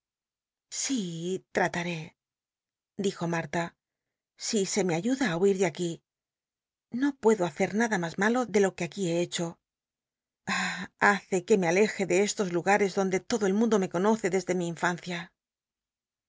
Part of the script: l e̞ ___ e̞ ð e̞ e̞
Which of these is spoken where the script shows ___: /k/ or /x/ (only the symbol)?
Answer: x